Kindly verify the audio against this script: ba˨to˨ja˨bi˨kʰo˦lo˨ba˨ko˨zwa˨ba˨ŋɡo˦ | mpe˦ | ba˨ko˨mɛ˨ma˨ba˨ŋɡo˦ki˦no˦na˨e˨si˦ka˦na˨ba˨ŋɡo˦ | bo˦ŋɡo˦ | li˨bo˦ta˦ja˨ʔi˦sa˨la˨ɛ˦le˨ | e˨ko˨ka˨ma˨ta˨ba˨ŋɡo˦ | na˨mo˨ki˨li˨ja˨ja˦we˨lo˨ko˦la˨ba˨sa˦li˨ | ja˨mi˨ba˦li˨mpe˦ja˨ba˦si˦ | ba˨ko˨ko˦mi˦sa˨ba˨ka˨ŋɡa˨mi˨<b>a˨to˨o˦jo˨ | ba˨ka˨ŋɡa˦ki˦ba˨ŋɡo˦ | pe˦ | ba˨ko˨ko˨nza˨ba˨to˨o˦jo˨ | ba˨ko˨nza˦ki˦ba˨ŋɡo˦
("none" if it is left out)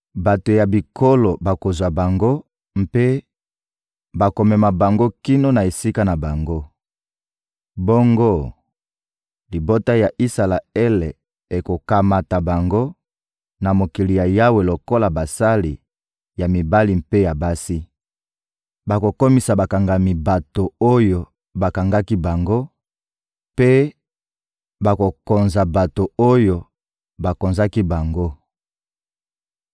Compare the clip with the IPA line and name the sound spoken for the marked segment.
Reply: b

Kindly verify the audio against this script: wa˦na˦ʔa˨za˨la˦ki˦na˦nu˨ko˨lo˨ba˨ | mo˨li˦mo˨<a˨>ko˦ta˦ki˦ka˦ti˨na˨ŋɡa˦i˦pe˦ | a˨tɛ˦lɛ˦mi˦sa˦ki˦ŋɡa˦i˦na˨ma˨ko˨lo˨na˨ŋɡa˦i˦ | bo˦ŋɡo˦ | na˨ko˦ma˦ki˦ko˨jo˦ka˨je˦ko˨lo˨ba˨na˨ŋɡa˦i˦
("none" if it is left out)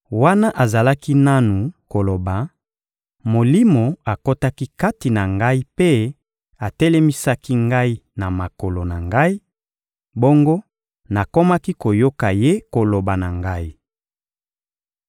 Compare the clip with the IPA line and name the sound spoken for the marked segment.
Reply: a˨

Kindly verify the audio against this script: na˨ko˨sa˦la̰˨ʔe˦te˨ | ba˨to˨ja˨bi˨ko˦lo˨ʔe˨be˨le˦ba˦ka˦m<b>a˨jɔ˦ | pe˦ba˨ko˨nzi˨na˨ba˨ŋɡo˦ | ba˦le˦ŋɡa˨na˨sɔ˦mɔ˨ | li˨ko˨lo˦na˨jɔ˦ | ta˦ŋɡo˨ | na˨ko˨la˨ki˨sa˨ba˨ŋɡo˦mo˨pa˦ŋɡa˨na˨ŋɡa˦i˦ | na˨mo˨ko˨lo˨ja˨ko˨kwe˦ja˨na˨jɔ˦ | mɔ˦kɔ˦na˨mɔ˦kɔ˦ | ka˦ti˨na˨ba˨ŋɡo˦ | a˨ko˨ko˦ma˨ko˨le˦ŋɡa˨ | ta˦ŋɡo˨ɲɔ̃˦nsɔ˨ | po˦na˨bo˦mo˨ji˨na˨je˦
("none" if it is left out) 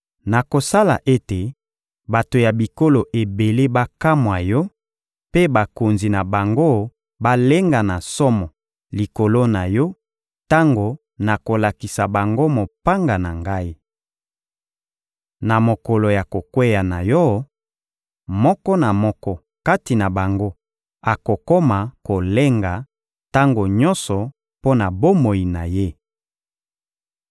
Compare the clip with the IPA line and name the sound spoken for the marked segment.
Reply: w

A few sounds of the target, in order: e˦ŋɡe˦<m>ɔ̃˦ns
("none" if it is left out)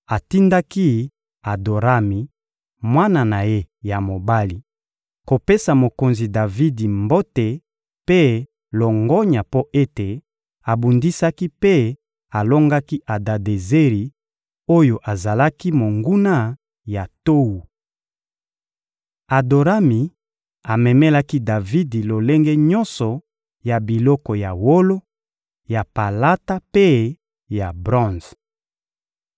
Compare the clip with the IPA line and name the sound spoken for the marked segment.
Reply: ɲ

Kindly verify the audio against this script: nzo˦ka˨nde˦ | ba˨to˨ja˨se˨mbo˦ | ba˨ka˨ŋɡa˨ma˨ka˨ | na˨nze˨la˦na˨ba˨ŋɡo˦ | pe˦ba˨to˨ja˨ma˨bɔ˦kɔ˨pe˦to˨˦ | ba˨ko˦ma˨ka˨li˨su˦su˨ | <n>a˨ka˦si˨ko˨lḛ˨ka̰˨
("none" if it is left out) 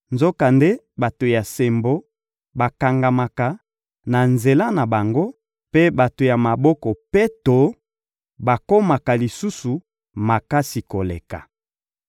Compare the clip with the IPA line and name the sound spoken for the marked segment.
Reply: m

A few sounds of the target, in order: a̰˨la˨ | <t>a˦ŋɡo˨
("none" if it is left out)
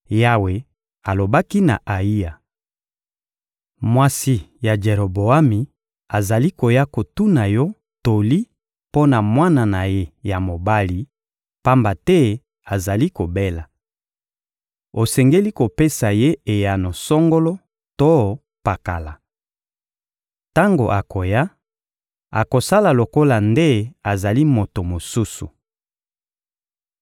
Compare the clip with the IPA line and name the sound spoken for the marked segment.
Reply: t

